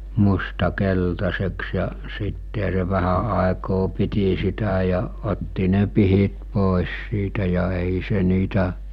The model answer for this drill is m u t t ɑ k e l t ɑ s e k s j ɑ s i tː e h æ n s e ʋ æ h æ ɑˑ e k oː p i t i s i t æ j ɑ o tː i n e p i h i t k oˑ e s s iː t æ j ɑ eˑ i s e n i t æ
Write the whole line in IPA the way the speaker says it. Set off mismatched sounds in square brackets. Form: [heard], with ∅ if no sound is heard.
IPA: m u [s] t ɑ k e l t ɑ s e k s j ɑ s i tː e h æ [∅] s e ʋ æ h æ ɑˑ e k oː p i t i s i t æ j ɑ o tː i n e p i h i t [p] oˑ e s s iː t æ j ɑ eˑ i s e n [iː] t æ